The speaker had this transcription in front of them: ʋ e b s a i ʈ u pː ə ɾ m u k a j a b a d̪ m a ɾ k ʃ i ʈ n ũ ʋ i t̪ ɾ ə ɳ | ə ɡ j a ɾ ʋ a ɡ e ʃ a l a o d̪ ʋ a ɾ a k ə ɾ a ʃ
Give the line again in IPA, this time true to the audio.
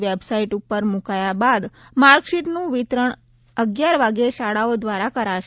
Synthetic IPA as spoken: ʋ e b s a i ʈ u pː ə ɾ m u k a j a b a d̪ m a ɾ k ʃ i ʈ n ũ ʋ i t̪ ɾ ə ɳ | ə ɡ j a ɾ ʋ a ɡ e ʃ a ɽ a o d̪ ʋ a ɾ a k ə ɾ a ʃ